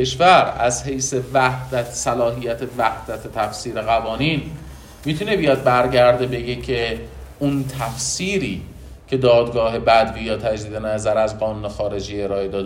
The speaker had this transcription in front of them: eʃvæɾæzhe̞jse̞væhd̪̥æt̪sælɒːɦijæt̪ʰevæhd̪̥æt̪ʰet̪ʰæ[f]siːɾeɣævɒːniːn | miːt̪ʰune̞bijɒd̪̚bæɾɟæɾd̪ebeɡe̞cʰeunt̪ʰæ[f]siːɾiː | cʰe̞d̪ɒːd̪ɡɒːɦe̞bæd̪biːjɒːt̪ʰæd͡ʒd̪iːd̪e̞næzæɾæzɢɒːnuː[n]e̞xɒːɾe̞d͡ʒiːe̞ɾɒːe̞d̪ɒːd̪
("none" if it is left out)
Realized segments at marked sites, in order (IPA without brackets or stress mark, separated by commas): f, f, n